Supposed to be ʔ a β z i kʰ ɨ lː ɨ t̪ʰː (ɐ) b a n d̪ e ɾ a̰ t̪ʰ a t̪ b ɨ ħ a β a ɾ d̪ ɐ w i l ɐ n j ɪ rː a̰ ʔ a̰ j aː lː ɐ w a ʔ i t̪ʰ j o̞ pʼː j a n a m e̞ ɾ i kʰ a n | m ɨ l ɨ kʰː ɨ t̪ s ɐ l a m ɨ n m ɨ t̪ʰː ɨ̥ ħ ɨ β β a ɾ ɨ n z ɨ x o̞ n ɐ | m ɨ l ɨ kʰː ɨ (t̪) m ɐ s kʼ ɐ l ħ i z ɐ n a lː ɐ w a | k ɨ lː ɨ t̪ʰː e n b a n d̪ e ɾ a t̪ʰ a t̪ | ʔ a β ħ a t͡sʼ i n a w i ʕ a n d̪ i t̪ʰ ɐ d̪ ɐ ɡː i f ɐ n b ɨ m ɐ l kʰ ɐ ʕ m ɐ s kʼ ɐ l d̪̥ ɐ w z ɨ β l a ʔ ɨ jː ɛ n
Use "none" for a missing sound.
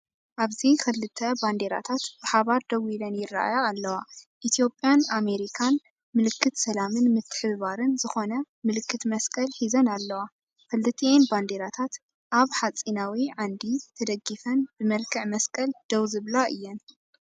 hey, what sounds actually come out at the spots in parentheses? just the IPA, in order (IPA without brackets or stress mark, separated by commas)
ɐ, t̪